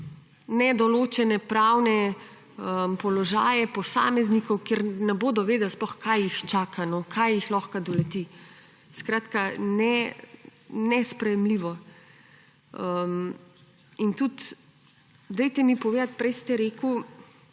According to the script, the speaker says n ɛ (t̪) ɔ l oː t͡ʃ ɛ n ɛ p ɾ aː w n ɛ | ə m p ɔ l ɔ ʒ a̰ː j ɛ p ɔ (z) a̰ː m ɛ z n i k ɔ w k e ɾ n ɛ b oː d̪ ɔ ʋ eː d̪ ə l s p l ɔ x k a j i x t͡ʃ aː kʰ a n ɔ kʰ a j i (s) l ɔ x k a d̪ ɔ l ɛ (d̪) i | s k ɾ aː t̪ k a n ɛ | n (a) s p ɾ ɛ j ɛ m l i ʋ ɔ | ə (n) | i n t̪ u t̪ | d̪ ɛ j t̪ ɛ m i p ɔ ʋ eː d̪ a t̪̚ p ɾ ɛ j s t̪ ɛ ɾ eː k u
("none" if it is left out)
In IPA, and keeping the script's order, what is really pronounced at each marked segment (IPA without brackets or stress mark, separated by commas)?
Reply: d̪, s, x, t̪, ɛ, m